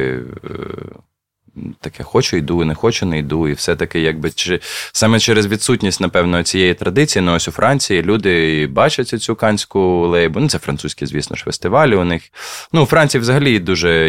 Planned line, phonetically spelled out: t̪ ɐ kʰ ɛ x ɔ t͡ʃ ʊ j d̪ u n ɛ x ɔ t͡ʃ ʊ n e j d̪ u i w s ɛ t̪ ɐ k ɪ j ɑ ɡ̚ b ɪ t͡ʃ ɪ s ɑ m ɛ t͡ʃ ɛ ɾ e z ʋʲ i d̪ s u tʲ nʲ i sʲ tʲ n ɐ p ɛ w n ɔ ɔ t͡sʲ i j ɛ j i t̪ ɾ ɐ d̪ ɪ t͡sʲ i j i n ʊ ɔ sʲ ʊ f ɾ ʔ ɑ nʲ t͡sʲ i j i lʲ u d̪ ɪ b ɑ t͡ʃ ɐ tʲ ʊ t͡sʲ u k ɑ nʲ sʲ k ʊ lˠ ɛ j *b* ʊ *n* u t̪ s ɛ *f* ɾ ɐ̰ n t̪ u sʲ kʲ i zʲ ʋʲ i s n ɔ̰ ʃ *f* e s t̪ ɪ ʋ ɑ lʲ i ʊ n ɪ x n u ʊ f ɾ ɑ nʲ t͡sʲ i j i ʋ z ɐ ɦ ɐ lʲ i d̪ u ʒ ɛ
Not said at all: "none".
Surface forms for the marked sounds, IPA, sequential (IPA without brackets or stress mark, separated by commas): b, n, f, f